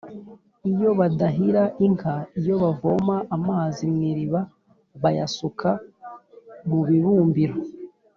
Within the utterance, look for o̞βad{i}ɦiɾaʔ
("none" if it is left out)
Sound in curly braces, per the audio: a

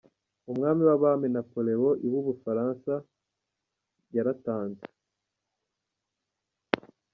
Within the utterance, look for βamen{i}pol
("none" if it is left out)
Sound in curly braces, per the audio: a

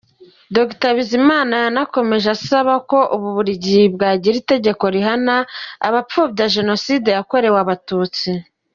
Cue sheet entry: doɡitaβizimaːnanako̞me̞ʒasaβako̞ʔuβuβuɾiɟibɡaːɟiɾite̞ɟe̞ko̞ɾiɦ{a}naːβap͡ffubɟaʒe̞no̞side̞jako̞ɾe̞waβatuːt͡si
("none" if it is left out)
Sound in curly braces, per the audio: a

